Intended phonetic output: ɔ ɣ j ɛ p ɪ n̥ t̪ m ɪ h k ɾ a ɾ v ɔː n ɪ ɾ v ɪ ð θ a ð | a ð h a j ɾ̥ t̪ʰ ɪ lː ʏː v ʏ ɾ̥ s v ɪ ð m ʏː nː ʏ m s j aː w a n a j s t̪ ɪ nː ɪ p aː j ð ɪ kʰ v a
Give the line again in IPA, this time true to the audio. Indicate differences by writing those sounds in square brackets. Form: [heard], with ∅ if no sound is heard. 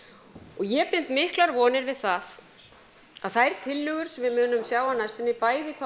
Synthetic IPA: ɔ ɣ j ɛ p ɪ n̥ t̪ m ɪ h k [l] a ɾ v ɔː n ɪ ɾ v ɪ ð θ a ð | a ð [θ] a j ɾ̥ t̪ʰ ɪ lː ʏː [ɣ] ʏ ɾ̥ s v ɪ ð m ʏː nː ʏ m s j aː w a n a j s t̪ ɪ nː ɪ p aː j ð ɪ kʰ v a